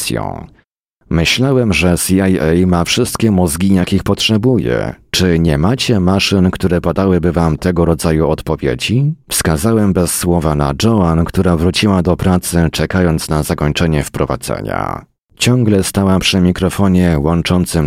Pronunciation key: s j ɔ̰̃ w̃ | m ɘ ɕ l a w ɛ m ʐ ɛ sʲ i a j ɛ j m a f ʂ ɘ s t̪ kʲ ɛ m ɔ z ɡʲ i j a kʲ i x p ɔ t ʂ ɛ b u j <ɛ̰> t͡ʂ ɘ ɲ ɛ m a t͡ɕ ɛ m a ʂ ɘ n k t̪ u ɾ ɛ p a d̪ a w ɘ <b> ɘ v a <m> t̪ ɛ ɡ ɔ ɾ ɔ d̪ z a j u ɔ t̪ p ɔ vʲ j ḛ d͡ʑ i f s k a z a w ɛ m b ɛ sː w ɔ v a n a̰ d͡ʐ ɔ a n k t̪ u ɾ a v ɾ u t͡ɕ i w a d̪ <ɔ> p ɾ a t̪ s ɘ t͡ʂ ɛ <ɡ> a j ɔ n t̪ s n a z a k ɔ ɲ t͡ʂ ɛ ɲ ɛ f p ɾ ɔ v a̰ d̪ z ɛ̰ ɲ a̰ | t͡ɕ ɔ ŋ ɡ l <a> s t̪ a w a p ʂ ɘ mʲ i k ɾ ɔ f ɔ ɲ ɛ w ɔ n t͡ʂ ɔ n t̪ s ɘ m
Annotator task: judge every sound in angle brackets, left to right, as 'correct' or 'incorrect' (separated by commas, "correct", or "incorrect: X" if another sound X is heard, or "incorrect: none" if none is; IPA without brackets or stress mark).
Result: correct, correct, correct, correct, incorrect: k, incorrect: ɛ